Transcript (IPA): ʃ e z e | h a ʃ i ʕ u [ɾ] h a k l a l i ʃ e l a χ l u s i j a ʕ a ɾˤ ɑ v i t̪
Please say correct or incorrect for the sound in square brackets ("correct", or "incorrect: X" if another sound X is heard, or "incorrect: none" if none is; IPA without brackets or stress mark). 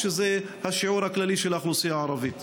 correct